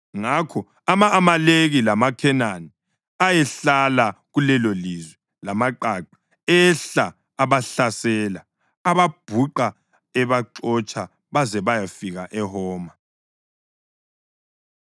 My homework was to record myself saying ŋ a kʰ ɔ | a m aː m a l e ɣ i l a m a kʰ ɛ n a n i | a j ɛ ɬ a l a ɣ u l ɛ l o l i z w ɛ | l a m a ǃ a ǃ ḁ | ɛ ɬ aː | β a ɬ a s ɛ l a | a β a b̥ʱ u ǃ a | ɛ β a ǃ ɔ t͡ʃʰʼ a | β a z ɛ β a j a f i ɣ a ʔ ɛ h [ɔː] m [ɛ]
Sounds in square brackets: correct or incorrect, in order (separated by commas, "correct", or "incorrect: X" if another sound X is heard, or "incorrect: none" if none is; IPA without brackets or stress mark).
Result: correct, incorrect: a